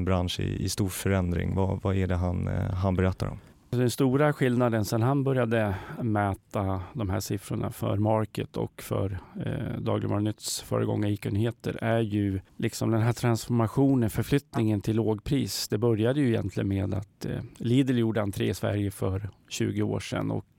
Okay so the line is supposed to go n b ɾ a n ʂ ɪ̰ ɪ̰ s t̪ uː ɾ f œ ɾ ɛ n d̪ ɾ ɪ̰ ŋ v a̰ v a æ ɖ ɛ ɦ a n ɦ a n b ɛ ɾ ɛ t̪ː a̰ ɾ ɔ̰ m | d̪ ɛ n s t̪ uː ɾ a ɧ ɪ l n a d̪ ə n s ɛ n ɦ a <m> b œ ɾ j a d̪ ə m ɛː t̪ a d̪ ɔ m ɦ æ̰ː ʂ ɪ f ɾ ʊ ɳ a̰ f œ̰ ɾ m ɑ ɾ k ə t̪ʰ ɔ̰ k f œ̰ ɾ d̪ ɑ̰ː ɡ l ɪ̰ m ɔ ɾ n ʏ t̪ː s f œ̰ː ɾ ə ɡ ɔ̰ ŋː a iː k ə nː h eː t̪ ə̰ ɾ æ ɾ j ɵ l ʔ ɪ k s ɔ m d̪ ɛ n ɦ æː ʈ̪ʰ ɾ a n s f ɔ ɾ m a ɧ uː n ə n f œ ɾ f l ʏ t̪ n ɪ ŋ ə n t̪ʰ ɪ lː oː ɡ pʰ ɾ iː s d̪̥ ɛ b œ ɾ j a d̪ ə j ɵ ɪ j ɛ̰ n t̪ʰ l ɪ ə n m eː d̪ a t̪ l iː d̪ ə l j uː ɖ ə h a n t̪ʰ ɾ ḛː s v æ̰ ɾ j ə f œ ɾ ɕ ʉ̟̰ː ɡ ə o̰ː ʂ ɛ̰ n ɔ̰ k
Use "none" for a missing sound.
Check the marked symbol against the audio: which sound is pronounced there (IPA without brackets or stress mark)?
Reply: n